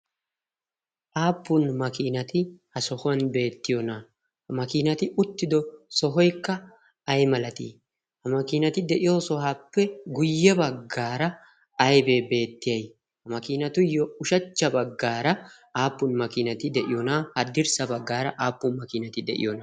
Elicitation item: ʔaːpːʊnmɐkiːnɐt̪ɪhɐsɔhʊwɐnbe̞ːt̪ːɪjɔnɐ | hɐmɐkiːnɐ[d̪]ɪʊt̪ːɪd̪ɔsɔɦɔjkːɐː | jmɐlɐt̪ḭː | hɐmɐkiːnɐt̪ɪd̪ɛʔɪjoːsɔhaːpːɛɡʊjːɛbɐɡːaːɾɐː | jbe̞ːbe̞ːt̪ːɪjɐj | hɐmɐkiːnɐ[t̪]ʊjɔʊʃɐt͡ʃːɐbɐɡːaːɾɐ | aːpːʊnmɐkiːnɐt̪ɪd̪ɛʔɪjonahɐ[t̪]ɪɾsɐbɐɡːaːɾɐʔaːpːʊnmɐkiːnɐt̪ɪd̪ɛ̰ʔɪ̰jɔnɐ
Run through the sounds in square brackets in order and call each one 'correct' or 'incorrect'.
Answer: incorrect, correct, incorrect

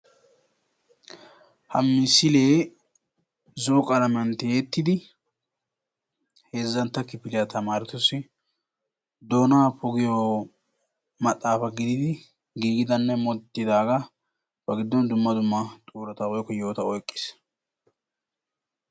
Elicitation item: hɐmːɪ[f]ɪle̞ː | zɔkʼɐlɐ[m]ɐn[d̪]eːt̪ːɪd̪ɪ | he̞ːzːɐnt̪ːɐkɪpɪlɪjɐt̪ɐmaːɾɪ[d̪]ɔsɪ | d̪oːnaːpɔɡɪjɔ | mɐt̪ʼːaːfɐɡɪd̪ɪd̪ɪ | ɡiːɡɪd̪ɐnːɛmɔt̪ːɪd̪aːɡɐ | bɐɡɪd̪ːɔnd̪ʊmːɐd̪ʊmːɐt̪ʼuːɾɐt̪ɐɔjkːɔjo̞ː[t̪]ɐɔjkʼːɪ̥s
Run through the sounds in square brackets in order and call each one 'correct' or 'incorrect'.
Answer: incorrect, correct, incorrect, incorrect, correct

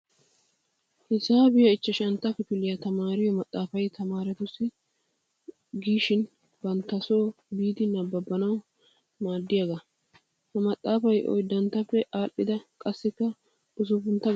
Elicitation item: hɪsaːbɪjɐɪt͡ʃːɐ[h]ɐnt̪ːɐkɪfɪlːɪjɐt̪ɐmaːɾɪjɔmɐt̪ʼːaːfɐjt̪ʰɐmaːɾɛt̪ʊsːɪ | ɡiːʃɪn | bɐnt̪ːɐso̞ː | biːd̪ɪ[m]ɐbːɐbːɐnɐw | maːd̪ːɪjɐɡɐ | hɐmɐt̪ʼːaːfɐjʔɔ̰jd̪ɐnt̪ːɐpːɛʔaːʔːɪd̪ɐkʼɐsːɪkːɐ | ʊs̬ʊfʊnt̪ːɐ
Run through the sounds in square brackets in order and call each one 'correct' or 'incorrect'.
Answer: incorrect, incorrect

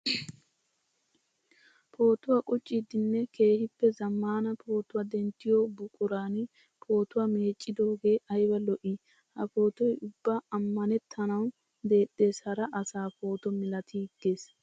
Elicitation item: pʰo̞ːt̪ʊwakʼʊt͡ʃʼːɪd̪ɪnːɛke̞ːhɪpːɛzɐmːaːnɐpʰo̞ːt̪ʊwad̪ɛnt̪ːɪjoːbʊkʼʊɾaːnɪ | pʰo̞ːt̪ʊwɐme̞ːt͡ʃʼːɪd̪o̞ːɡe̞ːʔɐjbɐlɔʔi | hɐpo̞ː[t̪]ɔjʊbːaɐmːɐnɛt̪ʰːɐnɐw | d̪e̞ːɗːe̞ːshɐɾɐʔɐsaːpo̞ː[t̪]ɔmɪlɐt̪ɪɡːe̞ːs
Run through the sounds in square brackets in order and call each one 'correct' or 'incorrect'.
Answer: correct, correct

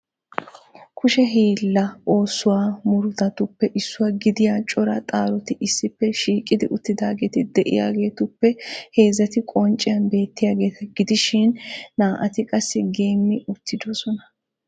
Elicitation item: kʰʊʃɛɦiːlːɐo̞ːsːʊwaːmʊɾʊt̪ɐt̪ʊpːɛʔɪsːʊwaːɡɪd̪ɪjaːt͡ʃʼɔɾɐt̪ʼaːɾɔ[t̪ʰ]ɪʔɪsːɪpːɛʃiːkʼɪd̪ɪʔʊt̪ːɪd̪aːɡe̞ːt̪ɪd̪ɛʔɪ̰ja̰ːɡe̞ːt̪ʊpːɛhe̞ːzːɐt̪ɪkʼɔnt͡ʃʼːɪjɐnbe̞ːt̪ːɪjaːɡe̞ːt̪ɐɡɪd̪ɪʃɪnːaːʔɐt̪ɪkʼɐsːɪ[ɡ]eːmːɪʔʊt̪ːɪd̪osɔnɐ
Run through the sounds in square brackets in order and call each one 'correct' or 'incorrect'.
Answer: incorrect, correct

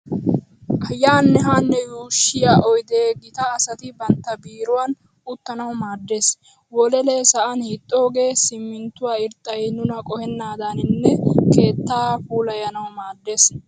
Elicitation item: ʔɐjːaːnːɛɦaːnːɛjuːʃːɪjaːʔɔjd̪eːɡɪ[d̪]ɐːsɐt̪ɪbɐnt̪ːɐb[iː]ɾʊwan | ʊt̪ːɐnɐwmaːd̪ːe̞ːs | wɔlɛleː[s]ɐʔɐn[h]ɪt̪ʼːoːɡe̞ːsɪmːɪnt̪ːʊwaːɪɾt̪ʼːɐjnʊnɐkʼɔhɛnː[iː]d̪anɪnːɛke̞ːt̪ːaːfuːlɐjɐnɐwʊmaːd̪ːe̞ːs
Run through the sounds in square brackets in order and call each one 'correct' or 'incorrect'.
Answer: incorrect, correct, correct, correct, incorrect

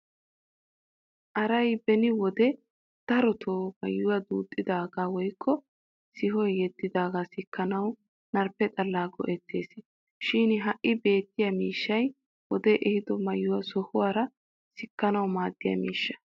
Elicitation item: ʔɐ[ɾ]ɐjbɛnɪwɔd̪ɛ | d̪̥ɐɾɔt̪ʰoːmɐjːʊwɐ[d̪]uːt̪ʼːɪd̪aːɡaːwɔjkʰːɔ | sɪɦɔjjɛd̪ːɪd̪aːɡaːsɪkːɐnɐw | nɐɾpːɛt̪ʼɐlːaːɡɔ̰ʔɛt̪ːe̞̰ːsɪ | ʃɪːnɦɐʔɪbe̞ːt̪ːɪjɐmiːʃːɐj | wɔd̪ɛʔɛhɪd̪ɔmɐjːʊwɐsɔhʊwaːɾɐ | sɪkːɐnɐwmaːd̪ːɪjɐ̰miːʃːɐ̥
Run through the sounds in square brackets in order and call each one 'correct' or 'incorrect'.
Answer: correct, correct

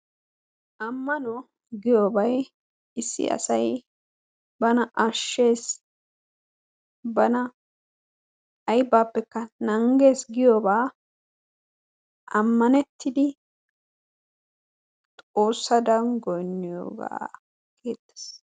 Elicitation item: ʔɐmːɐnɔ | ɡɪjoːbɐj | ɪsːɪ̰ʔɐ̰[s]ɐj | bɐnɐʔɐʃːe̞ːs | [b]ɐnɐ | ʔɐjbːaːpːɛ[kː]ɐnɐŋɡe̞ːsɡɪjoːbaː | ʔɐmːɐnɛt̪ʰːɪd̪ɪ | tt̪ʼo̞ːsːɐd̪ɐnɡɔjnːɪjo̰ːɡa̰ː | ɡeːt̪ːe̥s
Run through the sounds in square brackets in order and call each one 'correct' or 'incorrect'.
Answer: correct, correct, correct

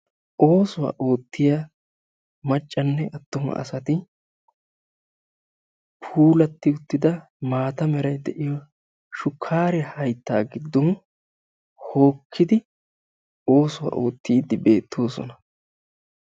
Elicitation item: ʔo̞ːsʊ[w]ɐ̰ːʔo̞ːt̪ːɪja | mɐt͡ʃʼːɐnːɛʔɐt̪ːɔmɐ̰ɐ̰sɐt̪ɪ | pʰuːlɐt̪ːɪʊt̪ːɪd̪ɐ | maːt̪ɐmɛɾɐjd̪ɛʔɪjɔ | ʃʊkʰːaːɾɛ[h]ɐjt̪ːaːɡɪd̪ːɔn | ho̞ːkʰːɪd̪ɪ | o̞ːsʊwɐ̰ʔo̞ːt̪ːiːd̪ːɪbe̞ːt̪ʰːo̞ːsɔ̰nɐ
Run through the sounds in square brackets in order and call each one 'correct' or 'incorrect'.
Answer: correct, correct

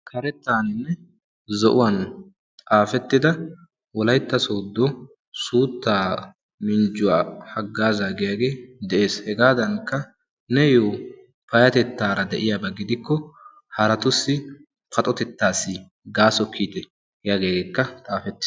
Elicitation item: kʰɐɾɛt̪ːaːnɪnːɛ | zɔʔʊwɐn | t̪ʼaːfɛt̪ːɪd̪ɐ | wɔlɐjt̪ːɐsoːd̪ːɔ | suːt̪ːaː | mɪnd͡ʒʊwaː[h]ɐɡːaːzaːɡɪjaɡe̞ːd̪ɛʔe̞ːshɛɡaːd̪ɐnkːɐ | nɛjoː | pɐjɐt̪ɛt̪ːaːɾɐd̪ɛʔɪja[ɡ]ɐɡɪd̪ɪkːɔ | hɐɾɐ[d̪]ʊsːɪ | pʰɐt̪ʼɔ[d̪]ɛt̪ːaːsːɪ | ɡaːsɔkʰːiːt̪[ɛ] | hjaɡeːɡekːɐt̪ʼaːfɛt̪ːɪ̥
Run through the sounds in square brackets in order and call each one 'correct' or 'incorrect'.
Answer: correct, incorrect, incorrect, incorrect, correct

